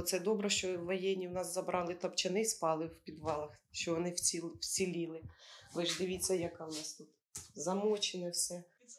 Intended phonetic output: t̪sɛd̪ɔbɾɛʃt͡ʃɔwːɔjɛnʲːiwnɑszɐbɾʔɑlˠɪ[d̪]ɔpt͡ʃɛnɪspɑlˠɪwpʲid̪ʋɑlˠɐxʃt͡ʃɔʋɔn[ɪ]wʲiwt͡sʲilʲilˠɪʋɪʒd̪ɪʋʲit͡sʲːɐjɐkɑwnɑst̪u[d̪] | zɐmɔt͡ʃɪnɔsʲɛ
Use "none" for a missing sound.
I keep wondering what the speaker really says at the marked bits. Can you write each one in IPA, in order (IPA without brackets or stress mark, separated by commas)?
t̪, ɪ, t̪